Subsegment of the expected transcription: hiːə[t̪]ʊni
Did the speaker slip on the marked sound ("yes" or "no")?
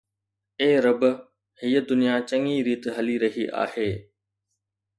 yes